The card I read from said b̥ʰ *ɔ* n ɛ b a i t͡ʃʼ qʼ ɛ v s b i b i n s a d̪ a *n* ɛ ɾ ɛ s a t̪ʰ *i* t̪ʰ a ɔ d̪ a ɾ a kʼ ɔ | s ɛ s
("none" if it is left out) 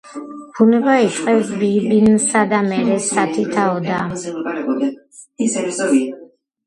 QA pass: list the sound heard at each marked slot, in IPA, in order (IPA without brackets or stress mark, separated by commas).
u, m, i